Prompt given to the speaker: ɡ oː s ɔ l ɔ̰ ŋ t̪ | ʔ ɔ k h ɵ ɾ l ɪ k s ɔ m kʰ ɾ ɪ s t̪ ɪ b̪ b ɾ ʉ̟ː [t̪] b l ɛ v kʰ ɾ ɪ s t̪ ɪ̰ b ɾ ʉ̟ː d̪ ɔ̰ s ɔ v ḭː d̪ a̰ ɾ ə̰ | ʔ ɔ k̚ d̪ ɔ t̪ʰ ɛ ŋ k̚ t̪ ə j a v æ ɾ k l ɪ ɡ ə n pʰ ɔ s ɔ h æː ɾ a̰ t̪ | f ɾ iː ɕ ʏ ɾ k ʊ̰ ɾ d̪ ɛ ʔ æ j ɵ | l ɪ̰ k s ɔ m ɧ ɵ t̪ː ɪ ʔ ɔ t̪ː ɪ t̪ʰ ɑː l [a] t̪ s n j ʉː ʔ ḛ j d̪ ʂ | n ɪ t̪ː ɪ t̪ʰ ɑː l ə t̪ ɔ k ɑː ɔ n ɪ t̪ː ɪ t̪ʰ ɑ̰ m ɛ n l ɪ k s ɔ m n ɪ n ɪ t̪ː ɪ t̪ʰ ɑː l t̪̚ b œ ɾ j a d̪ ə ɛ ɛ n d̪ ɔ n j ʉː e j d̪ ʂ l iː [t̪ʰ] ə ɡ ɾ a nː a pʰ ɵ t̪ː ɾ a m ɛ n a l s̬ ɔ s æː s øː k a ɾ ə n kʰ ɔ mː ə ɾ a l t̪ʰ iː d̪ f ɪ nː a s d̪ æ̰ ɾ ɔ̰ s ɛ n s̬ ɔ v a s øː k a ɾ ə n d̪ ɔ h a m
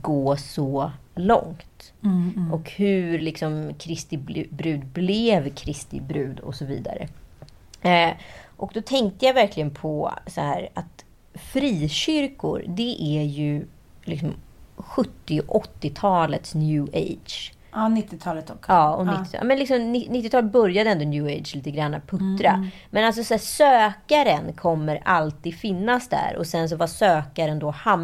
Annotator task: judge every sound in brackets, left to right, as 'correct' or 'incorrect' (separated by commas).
incorrect, incorrect, incorrect